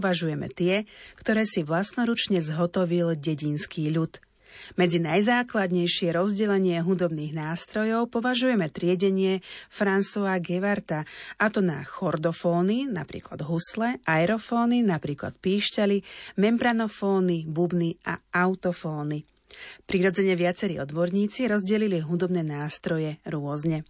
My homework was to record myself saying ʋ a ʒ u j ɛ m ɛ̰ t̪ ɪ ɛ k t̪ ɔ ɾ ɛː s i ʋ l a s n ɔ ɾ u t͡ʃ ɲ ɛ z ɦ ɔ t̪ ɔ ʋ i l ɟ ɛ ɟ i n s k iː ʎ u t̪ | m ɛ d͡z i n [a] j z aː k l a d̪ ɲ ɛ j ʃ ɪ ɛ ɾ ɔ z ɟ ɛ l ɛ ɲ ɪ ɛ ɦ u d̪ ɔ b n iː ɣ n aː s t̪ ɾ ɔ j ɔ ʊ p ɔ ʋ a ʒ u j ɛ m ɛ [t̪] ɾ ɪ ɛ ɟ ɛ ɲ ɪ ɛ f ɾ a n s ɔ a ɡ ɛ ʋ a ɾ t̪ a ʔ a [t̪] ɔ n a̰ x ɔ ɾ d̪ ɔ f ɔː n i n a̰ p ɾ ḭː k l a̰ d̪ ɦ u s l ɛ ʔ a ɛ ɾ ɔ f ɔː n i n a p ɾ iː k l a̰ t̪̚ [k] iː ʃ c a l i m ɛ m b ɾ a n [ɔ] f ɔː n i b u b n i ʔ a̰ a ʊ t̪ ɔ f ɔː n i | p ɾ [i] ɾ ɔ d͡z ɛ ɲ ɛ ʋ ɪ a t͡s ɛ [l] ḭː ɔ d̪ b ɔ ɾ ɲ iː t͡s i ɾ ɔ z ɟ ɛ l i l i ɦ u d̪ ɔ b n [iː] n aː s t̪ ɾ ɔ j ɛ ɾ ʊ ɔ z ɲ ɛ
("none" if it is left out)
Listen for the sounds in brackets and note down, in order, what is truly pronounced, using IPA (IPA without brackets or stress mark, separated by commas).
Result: a, t̪, t̪, p, ɔ, i, ɾ, ɛː